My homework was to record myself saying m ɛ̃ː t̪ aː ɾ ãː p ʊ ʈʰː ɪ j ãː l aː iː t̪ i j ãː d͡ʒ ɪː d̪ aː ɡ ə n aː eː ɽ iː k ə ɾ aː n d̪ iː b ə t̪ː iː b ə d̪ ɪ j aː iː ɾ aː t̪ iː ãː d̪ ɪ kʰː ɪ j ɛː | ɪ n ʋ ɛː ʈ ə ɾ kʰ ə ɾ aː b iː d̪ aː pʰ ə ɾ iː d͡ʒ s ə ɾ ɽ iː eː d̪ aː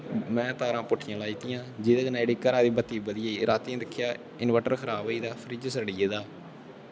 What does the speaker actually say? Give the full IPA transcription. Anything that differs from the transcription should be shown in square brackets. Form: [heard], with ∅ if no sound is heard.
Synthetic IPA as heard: m ɛ̃ː t̪ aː ɾ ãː p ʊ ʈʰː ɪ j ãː l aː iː t̪ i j ãː d͡ʒ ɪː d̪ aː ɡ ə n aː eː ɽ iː k ə ɾ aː [∅] d̪ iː b ə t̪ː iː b ə d̪ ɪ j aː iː ɾ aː t̪ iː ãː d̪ ɪ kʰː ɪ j [aː] | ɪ n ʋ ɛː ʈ ə ɾ kʰ ə ɾ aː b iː d̪ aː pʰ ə ɾ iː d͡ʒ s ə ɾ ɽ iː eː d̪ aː

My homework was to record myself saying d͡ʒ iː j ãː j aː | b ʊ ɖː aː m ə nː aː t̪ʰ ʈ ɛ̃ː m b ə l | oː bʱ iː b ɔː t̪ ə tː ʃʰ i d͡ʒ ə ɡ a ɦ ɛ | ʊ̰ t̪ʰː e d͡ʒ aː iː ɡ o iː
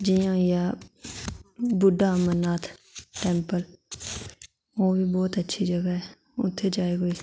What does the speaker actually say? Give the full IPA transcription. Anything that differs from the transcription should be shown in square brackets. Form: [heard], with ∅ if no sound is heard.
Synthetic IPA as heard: d͡ʒ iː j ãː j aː | b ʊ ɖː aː m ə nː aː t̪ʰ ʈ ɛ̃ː m [p] ə l | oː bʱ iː b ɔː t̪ ə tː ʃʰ i d͡ʒ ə ɡ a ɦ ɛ | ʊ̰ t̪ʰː e d͡ʒ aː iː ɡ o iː

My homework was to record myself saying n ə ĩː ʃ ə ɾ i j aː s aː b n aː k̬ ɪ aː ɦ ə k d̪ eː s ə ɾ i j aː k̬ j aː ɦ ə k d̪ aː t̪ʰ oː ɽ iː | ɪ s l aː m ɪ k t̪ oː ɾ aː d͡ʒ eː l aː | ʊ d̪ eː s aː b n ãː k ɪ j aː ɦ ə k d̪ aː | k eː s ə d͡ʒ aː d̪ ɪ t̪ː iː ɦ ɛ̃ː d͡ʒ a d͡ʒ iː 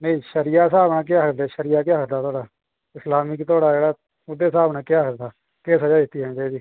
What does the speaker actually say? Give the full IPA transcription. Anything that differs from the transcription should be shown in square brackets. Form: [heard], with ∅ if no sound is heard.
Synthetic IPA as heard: n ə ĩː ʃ ə ɾ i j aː s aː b n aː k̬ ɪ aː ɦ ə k d̪ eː [ʃ] ə ɾ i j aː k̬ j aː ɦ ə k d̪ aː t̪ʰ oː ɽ [aː] | ɪ s l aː m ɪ k t̪ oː [ɽ] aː d͡ʒ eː [ɽ] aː | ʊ d̪ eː s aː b n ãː k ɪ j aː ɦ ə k d̪ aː | k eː s ə d͡ʒ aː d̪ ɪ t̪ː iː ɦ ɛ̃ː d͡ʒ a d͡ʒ iː

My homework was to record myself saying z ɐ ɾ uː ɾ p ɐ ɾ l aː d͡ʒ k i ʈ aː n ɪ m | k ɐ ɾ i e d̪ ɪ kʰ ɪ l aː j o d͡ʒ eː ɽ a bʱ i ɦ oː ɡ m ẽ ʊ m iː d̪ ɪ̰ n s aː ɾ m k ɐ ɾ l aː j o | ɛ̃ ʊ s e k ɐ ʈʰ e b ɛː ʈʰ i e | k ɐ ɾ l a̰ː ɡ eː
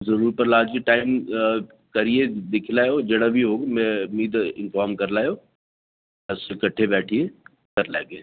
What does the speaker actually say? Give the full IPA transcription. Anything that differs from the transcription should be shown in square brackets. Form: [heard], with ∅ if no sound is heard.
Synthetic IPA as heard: z ɐ ɾ uː ɾ p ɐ ɾ l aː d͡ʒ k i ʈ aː [∅] ɪ m | k ɐ ɾ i e d̪ ɪ kʰ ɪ l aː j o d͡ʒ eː ɽ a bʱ i ɦ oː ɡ m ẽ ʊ m iː d̪ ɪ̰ n [f] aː ɾ m k ɐ ɾ l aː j o | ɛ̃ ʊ s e k ɐ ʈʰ e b ɛː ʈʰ i e | k ɐ ɾ l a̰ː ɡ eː

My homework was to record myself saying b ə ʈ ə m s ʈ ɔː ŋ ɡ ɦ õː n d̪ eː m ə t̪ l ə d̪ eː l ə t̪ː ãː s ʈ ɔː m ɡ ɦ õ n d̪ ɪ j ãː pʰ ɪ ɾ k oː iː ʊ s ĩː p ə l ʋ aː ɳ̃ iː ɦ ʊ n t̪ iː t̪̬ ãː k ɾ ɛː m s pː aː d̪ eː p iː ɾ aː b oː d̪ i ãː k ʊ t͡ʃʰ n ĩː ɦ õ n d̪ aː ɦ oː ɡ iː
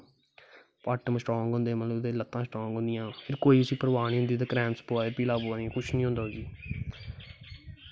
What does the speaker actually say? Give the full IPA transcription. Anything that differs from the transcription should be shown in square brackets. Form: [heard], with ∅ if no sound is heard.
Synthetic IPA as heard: [p] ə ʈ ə m s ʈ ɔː ŋ ɡ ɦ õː n d̪ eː m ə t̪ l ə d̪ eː l ə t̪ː ãː s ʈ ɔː [ŋ] ɡ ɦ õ n d̪ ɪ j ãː pʰ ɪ ɾ k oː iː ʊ s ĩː p ə [ɾ] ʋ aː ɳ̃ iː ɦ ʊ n [d̪] iː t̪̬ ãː k ɾ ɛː m s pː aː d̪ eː p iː [l] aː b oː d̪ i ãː k ʊ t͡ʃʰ n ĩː ɦ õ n d̪ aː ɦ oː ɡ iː

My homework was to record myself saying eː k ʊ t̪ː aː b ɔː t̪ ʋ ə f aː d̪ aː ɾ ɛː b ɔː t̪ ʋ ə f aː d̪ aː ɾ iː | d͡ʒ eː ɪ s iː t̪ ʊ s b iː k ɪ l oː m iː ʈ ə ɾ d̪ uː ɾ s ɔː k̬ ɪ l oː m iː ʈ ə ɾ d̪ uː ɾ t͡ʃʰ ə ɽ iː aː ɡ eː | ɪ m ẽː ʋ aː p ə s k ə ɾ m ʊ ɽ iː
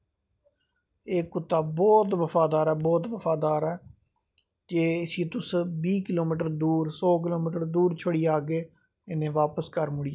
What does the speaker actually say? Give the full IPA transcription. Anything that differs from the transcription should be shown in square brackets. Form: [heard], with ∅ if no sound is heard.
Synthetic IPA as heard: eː k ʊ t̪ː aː b ɔː t̪ ʋ ə f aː d̪ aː ɾ ɛː b ɔː t̪ ʋ ə f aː d̪ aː ɾ [ɛː] | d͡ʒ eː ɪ s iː t̪ ʊ s b iː k ɪ l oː m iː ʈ ə ɾ d̪ uː ɾ s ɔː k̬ ɪ l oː m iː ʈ ə ɾ d̪ uː ɾ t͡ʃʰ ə ɽ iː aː ɡ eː | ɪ [n] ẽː ʋ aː p ə s k ə ɾ m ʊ ɽ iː

